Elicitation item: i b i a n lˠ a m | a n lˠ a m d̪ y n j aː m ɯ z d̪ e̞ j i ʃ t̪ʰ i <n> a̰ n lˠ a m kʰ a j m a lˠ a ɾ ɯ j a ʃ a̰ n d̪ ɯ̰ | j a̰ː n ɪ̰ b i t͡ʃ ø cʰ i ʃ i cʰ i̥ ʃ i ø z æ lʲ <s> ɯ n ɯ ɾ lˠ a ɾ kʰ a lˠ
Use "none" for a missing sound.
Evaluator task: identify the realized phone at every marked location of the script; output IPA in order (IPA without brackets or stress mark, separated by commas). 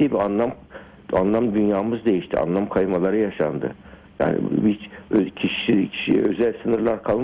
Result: none, s